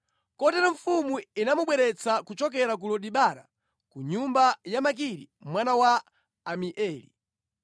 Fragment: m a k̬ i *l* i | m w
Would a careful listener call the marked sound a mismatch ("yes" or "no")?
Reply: yes